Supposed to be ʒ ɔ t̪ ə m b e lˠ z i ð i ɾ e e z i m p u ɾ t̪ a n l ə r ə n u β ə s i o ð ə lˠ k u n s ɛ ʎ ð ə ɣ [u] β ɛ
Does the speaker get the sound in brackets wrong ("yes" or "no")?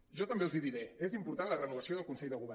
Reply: no